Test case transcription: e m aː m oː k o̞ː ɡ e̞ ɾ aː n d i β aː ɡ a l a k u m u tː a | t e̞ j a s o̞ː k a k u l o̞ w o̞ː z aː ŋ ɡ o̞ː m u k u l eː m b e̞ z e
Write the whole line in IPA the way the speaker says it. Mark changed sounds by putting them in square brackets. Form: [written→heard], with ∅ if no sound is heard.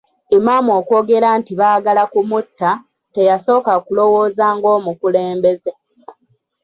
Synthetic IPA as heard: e m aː m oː k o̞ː ɡ e̞ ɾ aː n [d→t] i β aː ɡ a l a k u m u tː a | t e̞ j a s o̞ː k a k u l o̞ w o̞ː z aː ŋ ɡ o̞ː m u k u l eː m b e̞ z e